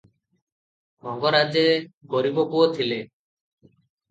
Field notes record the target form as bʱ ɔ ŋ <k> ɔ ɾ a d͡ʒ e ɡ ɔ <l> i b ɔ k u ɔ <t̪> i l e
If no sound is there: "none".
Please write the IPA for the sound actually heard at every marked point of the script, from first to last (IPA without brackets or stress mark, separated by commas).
ɡ, ɾ, t̪ʰ